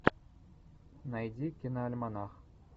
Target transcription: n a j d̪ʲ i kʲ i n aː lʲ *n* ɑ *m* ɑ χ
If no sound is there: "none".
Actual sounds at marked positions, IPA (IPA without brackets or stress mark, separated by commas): m, n